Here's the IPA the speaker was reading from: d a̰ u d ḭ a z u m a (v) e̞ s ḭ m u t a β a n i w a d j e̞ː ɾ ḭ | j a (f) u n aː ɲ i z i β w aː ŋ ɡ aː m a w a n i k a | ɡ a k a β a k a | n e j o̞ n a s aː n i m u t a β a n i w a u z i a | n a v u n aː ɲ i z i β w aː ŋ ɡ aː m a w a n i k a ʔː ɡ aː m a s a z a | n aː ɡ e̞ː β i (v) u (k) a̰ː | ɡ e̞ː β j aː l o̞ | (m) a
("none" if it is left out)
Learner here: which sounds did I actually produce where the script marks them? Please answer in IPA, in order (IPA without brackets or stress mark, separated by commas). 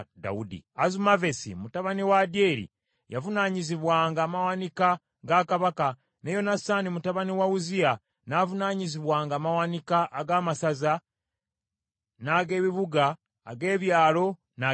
v, v, β, ɡ, n